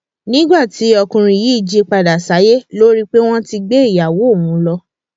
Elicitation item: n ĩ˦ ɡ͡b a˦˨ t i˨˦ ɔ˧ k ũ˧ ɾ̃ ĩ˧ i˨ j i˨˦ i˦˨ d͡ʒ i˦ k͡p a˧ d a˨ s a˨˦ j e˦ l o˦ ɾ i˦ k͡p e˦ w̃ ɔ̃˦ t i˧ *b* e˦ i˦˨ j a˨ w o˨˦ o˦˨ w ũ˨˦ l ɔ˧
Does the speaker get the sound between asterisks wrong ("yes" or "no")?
yes